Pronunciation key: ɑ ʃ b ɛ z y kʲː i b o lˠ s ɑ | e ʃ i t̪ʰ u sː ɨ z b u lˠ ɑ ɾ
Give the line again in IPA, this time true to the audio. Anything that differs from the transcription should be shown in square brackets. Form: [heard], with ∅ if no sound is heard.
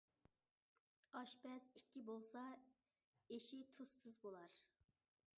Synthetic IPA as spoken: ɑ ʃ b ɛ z [i] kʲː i b o lˠ s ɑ | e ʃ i t̪ʰ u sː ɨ z b [o] lˠ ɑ ɾ